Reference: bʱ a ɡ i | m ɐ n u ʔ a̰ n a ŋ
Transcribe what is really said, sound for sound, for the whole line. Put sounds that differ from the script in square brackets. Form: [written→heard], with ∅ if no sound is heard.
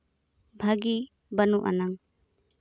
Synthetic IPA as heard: bʱ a ɡ i | [m→b] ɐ n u ʔ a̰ n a ŋ